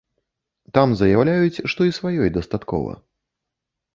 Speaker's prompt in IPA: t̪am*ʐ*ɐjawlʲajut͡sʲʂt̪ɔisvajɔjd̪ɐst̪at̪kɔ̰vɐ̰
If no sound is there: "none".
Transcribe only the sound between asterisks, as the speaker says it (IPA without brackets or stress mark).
z